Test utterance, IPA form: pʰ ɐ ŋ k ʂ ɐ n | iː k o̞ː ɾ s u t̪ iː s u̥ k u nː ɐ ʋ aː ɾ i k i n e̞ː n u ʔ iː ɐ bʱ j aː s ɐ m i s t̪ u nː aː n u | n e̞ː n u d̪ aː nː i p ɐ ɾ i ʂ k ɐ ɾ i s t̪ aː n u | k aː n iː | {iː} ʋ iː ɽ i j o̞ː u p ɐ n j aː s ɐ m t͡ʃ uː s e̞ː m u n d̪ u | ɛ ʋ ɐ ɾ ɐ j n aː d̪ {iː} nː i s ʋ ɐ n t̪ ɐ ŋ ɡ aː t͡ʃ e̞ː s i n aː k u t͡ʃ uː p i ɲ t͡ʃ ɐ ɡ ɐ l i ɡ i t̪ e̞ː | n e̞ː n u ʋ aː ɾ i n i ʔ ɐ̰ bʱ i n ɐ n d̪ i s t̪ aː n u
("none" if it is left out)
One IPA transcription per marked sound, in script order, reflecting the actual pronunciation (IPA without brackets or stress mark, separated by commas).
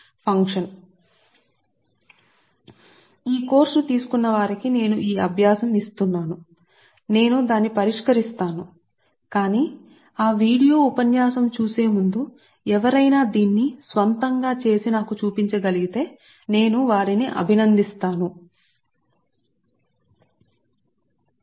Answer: aː, iː